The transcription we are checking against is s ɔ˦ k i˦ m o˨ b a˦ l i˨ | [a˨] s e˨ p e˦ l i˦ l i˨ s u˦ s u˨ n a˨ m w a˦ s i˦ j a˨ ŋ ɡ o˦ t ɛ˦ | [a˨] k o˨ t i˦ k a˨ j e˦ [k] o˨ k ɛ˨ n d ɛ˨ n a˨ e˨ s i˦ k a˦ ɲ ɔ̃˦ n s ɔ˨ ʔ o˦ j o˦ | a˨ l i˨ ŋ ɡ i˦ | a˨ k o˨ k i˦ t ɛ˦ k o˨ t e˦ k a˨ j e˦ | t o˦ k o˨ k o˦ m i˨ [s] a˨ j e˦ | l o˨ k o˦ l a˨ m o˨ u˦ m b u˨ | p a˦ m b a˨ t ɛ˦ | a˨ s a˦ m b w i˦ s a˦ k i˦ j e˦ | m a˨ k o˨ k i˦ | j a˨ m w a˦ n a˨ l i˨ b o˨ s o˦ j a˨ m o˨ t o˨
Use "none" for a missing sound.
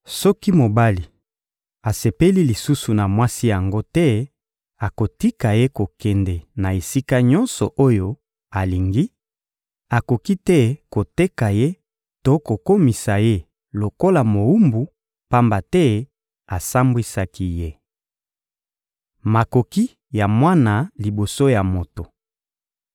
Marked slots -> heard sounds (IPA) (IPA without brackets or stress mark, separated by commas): a˨, a˨, k, s